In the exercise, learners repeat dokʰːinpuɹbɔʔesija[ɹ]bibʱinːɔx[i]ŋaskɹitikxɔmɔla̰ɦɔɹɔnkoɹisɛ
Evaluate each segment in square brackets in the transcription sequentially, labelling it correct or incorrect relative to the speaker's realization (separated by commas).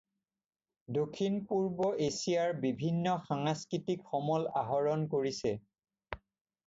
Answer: correct, incorrect